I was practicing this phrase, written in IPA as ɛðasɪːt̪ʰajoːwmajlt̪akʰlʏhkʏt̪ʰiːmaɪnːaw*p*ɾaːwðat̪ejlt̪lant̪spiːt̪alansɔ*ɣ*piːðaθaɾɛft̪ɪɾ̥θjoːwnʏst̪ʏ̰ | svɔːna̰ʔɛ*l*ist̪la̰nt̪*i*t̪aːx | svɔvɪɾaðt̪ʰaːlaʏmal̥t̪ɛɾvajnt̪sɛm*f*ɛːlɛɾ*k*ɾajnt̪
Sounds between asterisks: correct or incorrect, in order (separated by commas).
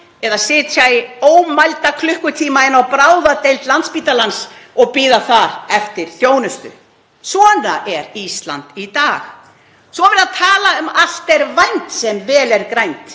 correct, correct, incorrect, correct, incorrect, correct